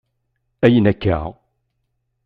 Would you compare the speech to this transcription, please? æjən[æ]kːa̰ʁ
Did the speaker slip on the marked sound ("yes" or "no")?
no